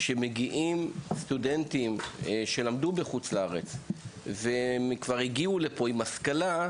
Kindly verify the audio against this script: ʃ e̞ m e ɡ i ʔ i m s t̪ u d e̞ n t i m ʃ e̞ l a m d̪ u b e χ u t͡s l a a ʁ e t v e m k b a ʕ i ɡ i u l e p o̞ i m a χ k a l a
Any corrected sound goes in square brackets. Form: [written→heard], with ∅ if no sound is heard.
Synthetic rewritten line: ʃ e̞ m e ɡ i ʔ i m s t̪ u d e̞ n t i m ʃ e̞ l a m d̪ u b e χ u t͡s l a a ʁ e [t→t͡s] v e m k [b→v] a [ʕ→ʁ] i ɡ i u l e p o̞ i m a [χ→s] k a l a